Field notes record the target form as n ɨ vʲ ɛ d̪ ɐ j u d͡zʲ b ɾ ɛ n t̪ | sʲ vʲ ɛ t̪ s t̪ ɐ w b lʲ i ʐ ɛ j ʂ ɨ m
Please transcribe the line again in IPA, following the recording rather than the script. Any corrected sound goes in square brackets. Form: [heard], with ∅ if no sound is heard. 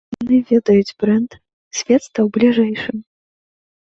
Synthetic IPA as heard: n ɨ vʲ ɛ d̪ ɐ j u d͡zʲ b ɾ ɛ n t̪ | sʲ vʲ ɛ t̪ s t̪ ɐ w b lʲ i ʐ ɛ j ʂ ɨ m

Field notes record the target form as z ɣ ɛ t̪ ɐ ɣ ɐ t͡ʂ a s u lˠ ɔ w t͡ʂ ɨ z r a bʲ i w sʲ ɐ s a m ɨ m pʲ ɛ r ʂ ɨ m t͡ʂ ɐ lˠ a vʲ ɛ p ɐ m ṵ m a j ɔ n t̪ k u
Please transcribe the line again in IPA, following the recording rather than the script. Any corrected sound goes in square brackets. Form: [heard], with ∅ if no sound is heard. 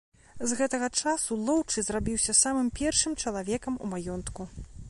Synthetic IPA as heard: z ɣ ɛ t̪ ɐ ɣ ɐ t͡ʂ a s u lˠ ɔ w t͡ʂ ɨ z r a bʲ i w sʲ ɐ s a m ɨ m pʲ ɛ r ʂ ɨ m t͡ʂ ɐ lˠ a vʲ ɛ [k] ɐ m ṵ m a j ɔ n t̪ k u

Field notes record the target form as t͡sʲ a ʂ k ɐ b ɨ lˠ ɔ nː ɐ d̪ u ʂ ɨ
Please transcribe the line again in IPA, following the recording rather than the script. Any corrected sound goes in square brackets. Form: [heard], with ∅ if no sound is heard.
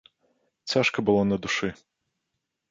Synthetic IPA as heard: t͡sʲ a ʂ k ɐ b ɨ lˠ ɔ [n] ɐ d̪ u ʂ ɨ

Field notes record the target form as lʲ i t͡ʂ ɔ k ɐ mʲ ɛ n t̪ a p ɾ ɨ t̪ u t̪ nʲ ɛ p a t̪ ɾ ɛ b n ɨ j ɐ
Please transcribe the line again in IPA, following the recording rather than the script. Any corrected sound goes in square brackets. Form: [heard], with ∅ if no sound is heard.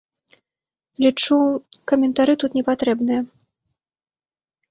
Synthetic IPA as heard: lʲ i t͡ʂ [u] k ɐ mʲ ɛ n t̪ a [∅] ɾ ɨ t̪ u t̪ nʲ ɛ p a t̪ ɾ ɛ b n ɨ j ɐ

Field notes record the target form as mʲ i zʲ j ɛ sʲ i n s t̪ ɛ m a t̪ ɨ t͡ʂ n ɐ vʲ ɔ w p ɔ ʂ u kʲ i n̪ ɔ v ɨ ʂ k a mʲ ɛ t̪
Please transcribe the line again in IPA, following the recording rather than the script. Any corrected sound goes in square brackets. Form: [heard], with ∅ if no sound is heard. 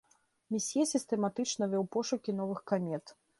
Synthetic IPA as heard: mʲ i [sʲ] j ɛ sʲ i [∅] s t̪ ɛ m a t̪ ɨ t͡ʂ n ɐ vʲ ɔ w p ɔ ʂ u kʲ i n̪ ɔ v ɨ [x] k a mʲ ɛ t̪

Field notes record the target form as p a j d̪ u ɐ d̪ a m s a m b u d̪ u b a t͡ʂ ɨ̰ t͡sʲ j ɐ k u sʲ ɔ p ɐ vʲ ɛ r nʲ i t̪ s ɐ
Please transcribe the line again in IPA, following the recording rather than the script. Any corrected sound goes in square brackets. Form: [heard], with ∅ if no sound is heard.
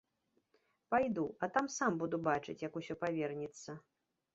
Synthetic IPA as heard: p a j d̪ u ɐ [t̪] a m s a m b u d̪ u b a t͡ʂ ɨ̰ t͡sʲ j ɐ k u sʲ ɔ p [a] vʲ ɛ r nʲ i t̪ [sː] ɐ

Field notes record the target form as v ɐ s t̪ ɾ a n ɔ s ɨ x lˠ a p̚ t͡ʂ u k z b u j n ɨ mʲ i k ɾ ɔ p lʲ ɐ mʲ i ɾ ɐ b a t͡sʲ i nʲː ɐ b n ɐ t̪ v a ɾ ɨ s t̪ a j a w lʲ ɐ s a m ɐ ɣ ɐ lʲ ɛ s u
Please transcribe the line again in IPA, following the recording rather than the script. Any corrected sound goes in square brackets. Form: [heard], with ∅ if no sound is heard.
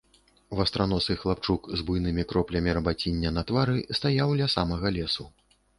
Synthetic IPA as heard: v ɐ s t̪ ɾ a n ɔ s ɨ x lˠ a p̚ t͡ʂ u k z b u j n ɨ mʲ i k ɾ ɔ p lʲ ɐ mʲ i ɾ ɐ b a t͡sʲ i nʲː ɐ [∅] n ɐ t̪ v a ɾ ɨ s t̪ a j a w lʲ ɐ s a m ɐ ɣ ɐ lʲ ɛ s u

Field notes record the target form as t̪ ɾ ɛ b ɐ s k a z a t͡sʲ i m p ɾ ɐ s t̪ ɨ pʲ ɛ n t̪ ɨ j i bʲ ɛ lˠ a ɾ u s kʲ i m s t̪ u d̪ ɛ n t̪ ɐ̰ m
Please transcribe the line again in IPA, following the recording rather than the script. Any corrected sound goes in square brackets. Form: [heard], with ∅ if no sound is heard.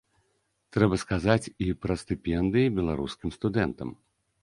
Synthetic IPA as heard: t̪ ɾ ɛ b ɐ s k a z a t͡sʲ i [∅] p ɾ ɐ s t̪ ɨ pʲ ɛ n [d̪] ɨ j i bʲ ɛ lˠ a ɾ u s kʲ i m s t̪ u d̪ ɛ n t̪ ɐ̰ m

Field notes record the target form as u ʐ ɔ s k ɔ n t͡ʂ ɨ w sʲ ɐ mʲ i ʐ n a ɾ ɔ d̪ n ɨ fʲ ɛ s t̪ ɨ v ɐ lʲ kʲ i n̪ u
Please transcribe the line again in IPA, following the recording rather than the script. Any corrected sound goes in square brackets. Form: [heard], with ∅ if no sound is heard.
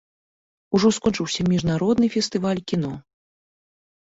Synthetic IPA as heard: u ʐ ɔ s k ɔ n t͡ʂ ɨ w sʲ ɐ mʲ i ʐ n a ɾ ɔ d̪ n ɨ fʲ ɛ s t̪ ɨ v [a] lʲ kʲ i n̪ [ɔ]

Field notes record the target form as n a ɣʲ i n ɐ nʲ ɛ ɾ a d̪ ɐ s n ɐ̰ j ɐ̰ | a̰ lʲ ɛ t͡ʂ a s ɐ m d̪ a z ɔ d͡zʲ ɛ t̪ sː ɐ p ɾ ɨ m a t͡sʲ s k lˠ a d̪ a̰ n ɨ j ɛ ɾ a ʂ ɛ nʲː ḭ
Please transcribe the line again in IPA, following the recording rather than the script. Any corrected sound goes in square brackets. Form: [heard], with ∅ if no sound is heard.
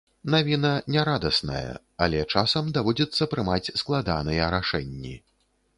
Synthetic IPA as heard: n a [vʲ] i n ɐ nʲ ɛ ɾ a d̪ ɐ s n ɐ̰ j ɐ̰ | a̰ lʲ ɛ t͡ʂ a s ɐ m d̪ a [v] ɔ d͡zʲ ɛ t̪ sː ɐ p ɾ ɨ m a t͡sʲ s k lˠ a d̪ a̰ n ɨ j ɛ ɾ a ʂ ɛ nʲː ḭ

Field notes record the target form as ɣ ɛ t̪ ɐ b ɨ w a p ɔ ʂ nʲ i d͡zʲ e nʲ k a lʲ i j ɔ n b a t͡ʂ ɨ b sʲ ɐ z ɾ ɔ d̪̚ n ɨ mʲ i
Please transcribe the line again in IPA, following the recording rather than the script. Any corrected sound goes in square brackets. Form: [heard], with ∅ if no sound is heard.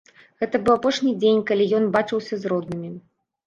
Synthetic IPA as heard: ɣ ɛ t̪ ɐ b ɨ w a p ɔ ʂ nʲ i d͡zʲ e nʲ k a lʲ i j ɔ n b a t͡ʂ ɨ [w] sʲ ɐ z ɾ ɔ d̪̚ n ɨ mʲ i

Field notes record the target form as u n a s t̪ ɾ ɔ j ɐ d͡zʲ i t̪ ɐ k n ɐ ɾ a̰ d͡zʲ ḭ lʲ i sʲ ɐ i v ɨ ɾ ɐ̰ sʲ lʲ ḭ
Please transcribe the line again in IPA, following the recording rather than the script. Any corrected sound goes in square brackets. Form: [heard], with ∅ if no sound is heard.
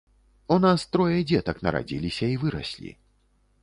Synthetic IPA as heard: u n a s t̪ ɾ ɔ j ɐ d͡zʲ [ɛ] t̪ ɐ k n ɐ ɾ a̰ d͡zʲ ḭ lʲ i sʲ ɐ i v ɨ ɾ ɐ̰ sʲ lʲ ḭ

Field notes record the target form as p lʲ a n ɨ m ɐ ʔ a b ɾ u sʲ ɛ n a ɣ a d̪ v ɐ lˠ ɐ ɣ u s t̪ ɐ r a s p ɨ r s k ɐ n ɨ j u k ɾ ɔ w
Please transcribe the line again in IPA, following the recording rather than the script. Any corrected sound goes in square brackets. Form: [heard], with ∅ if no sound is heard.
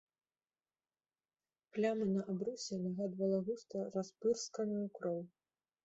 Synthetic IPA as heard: p lʲ a [m] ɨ [n] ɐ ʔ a b ɾ u sʲ ɛ n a ɣ a d̪ v ɐ lˠ ɐ ɣ u s t̪ ɐ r a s p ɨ r s k ɐ n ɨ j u k ɾ ɔ w

